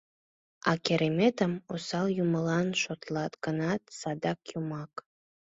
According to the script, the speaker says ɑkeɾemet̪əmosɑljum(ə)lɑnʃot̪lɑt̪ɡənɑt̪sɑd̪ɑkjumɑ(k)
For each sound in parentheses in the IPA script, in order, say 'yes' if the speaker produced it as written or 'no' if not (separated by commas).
yes, yes